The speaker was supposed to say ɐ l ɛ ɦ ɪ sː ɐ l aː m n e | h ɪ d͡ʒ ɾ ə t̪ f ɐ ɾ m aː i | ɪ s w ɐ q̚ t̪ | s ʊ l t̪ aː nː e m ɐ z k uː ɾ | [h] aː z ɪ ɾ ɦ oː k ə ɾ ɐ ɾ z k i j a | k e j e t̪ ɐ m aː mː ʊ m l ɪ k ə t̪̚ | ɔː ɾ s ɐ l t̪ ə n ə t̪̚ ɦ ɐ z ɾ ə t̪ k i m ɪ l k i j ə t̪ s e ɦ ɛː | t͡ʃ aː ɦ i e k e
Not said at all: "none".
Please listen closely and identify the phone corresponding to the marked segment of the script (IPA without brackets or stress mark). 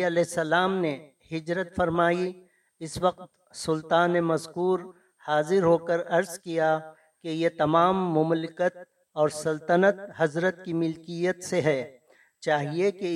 h